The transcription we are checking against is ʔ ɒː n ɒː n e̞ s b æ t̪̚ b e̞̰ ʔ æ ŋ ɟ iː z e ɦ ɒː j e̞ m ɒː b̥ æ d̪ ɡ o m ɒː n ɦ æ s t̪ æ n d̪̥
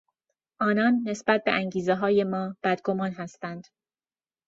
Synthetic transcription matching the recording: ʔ ɒː n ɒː nː e̞ s b æ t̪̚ b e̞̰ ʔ æ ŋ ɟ iː z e ɦ ɒː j e̞ m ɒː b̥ æ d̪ ɡ o m ɒː n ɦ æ s t̪ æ n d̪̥